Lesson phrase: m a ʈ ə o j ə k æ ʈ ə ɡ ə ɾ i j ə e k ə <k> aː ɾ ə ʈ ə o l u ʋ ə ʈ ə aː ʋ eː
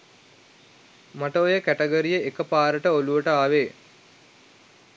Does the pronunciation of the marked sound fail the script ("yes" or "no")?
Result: yes